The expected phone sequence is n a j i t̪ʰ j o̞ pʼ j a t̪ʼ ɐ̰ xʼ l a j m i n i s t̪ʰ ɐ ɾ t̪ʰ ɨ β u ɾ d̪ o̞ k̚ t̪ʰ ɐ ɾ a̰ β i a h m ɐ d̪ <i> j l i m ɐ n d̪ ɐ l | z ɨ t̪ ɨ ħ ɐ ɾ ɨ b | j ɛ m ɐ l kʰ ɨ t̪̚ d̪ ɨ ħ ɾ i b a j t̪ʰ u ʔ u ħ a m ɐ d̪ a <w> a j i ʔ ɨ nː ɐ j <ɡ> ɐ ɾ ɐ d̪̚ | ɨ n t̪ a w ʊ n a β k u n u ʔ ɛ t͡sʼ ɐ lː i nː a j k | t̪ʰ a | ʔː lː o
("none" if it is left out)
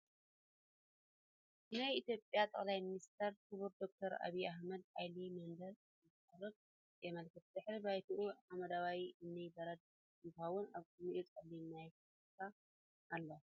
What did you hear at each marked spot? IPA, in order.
a, w, b

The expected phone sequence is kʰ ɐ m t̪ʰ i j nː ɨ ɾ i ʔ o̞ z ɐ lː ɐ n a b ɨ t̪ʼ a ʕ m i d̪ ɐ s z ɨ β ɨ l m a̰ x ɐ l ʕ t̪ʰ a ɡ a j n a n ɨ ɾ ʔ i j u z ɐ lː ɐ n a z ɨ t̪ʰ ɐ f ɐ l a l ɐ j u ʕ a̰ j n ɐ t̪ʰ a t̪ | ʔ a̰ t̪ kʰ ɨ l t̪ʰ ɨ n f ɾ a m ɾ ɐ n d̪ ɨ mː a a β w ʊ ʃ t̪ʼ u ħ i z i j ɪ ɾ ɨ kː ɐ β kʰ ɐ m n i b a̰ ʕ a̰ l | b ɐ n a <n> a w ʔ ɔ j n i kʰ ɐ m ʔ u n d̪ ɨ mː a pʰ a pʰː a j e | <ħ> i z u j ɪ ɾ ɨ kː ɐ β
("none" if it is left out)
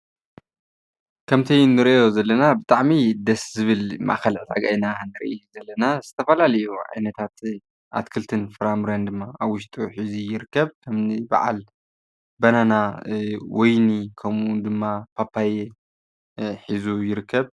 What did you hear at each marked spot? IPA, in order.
n, ħ

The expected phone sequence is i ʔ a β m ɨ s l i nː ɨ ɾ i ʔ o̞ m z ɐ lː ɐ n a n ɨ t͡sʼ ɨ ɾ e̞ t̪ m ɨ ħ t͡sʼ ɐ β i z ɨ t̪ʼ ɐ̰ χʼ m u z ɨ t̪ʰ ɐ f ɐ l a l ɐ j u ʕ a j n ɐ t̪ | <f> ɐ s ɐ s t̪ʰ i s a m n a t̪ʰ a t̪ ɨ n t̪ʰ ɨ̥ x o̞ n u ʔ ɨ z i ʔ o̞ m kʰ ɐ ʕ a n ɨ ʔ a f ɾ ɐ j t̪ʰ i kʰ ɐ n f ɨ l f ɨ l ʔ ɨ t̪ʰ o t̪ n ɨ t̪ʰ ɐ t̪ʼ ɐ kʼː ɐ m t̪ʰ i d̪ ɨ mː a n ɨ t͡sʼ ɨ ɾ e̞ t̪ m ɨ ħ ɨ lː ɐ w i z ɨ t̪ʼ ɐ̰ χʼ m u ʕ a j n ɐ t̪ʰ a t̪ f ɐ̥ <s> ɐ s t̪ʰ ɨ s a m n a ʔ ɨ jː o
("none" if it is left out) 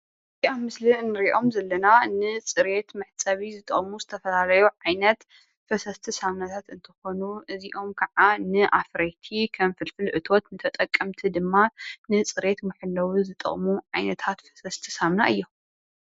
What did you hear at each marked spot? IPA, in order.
f, s

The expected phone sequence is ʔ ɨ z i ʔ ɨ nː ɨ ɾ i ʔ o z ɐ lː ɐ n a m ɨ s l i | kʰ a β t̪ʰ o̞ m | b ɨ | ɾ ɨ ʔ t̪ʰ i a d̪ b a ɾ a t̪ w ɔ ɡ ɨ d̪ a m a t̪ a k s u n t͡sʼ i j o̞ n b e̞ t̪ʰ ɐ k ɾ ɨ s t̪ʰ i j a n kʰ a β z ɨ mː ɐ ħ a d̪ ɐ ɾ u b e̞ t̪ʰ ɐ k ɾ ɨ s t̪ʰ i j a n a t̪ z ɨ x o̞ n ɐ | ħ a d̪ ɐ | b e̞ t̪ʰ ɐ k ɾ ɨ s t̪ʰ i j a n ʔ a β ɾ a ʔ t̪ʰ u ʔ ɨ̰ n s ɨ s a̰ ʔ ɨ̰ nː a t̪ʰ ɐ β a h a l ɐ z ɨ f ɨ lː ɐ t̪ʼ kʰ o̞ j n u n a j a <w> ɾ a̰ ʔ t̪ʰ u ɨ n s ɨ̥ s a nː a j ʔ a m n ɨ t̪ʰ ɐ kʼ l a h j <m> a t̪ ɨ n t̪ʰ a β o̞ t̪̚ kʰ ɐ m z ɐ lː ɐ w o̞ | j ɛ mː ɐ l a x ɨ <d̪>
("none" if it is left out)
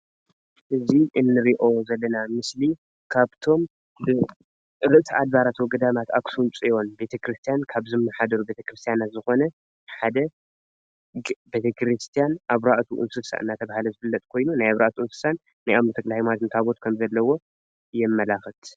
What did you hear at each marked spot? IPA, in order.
β, m, t̪

